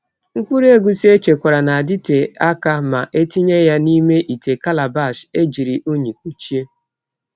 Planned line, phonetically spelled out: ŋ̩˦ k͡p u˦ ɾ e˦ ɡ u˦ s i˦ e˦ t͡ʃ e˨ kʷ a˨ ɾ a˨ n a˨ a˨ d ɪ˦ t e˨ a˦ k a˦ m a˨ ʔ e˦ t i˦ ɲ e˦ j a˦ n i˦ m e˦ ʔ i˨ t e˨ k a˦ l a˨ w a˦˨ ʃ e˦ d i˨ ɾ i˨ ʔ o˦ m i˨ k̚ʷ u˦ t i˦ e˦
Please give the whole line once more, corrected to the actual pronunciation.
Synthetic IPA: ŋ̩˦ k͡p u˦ ɾ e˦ ɡ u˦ s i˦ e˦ t͡ʃ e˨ kʷ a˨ ɾ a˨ n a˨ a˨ d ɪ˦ t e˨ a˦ k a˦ m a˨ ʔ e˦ t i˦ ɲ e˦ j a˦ n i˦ m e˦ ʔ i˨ t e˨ k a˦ l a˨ b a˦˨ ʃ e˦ d͡ʒ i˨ ɾ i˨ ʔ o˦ ɲ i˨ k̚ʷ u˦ t͡ʃ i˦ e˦